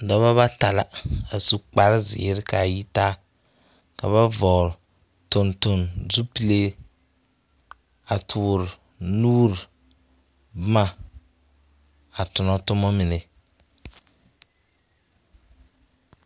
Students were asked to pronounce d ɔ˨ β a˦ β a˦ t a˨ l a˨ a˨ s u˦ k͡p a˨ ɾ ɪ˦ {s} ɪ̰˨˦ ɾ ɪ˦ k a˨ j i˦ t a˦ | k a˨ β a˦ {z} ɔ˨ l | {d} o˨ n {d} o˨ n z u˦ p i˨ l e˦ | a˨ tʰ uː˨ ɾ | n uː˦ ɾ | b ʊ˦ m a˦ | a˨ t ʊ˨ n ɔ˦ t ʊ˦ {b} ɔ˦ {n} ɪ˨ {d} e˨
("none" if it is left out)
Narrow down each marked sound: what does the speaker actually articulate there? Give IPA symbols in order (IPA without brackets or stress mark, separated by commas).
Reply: z, v, t, t, m, m, n